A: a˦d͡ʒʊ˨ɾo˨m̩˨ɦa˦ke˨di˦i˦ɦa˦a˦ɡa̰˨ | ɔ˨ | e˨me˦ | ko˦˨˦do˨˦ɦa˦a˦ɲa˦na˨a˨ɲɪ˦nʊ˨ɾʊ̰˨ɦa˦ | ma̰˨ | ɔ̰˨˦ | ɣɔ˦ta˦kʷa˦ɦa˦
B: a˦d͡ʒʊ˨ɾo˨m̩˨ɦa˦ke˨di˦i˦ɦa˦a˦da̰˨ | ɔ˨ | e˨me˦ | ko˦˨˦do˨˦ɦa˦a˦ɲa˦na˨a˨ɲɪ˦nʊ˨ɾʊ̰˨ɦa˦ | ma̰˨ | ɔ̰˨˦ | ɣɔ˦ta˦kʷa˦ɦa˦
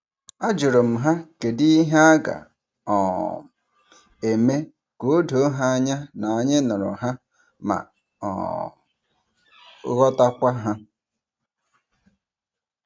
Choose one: A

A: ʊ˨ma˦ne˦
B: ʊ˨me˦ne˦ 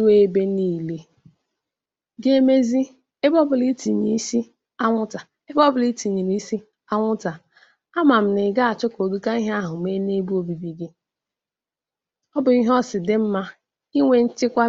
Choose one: B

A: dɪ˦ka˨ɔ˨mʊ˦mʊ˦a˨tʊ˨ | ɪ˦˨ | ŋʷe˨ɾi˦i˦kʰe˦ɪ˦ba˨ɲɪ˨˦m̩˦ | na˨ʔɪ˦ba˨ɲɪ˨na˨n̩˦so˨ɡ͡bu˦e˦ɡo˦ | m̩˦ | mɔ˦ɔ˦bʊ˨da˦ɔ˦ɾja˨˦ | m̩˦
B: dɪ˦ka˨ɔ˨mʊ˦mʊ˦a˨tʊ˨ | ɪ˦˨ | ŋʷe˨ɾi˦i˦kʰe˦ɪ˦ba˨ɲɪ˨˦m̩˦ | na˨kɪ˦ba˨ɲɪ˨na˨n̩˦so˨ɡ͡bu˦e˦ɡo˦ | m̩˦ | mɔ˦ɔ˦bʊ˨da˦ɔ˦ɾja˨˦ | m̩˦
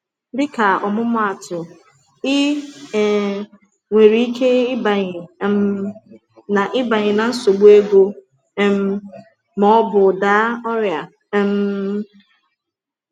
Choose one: A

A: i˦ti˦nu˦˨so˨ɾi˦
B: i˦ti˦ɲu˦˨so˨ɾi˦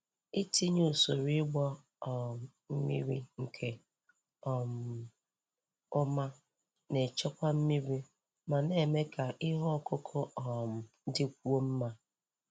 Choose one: B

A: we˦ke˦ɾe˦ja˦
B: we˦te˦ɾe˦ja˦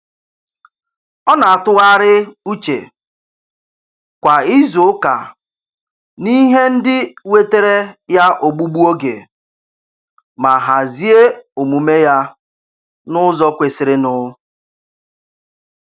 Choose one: B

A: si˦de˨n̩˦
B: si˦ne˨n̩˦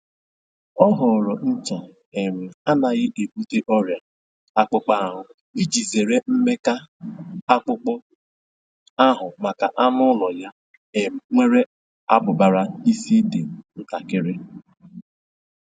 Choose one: A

